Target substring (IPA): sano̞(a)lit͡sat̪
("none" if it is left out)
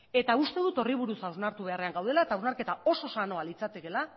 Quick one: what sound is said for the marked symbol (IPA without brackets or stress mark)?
a